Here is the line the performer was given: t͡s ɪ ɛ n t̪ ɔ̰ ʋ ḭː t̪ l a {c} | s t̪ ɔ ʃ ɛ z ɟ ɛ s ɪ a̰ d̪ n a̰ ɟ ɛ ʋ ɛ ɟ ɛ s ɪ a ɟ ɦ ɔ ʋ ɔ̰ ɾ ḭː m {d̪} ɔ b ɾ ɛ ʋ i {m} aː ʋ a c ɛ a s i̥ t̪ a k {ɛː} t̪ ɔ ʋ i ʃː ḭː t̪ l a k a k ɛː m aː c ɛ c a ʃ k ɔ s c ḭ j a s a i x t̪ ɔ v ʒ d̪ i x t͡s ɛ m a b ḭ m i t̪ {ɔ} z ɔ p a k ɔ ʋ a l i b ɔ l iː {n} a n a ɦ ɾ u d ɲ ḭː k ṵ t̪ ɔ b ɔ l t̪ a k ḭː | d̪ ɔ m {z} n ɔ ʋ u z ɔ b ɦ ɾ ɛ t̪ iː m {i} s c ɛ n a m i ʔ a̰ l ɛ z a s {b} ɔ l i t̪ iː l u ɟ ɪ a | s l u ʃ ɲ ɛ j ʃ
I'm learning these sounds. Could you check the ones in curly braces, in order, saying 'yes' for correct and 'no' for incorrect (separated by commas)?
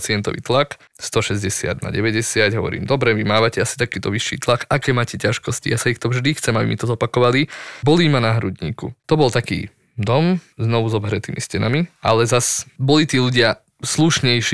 no, yes, yes, no, yes, no, yes, yes, yes